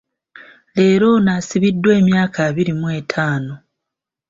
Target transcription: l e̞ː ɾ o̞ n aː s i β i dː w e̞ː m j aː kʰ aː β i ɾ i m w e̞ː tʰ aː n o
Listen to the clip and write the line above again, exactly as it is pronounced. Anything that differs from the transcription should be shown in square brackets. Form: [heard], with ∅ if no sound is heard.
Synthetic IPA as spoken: l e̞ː ɾ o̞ n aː s i β i dː w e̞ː m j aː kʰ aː β i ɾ i m w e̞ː tʰ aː n o